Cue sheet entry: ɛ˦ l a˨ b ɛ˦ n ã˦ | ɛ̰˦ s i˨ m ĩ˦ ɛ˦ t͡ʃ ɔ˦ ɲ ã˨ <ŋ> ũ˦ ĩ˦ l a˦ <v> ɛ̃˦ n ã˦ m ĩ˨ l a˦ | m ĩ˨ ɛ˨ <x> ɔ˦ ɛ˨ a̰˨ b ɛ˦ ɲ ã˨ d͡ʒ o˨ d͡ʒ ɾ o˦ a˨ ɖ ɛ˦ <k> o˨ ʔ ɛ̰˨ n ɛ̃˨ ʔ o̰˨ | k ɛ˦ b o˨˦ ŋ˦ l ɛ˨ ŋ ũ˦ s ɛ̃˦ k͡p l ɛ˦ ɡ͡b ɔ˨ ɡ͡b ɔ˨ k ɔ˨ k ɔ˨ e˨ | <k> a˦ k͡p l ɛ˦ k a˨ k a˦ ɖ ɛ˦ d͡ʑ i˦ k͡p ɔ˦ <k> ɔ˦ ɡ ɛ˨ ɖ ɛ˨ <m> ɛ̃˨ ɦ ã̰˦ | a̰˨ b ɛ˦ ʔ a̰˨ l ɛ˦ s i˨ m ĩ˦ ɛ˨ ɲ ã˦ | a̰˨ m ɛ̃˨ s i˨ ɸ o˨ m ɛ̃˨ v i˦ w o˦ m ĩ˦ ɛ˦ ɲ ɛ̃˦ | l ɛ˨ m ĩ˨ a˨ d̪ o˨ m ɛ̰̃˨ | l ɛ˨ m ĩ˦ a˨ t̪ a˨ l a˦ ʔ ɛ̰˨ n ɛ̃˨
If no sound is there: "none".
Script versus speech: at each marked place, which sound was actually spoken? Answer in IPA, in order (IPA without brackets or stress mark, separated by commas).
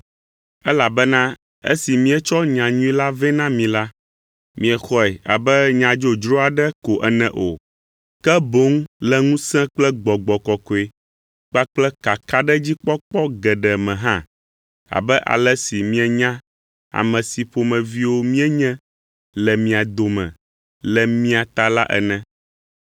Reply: ɲ, v, x, k, k͡p, k͡p, m